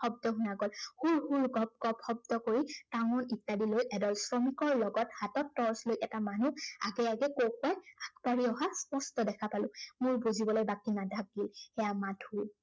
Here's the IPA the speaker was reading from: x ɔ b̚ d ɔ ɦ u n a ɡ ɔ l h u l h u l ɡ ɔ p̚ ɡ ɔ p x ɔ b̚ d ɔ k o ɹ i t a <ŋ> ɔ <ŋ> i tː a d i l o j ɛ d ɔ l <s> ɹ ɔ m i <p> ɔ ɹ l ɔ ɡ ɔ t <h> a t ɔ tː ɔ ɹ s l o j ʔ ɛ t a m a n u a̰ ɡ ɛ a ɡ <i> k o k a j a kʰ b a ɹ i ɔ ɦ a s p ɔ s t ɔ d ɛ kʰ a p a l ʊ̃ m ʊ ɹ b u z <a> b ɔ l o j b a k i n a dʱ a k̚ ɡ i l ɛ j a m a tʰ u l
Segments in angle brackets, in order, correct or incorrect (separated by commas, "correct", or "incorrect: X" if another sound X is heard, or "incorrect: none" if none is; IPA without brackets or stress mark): correct, incorrect: n, correct, incorrect: k, correct, incorrect: ɛ, incorrect: i